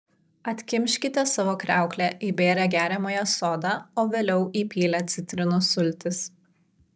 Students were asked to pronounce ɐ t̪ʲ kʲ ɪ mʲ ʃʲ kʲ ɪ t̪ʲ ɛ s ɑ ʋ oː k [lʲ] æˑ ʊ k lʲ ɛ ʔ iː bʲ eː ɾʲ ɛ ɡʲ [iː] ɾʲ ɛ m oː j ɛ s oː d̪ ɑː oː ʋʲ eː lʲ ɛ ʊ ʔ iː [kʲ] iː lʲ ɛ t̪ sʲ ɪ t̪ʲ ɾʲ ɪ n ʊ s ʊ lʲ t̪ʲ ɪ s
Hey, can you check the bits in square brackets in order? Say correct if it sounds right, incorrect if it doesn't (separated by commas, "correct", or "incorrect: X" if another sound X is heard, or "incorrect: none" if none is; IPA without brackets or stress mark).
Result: incorrect: ɾʲ, incorrect: æː, incorrect: pʲ